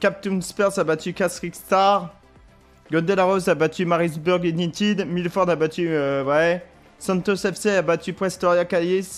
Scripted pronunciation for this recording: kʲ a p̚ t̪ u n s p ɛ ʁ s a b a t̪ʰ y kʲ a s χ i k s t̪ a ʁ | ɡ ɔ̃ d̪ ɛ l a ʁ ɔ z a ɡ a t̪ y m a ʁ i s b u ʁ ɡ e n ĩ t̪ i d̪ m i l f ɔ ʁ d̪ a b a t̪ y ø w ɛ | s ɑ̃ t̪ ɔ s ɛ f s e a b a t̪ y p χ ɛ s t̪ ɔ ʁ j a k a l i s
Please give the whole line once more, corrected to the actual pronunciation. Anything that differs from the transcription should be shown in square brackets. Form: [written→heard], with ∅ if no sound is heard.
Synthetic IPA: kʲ a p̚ t̪ u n s p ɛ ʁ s a b a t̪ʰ y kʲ a s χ i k s t̪ a ʁ | ɡ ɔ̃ d̪ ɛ l a ʁ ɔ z a [ɡ→b] a t̪ y m a ʁ i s b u ʁ ɡ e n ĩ t̪ i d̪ m i l f ɔ ʁ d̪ a b a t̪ y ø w ɛ | s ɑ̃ t̪ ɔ s ɛ f s e a b a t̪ y p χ ɛ s t̪ ɔ ʁ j a k a l i s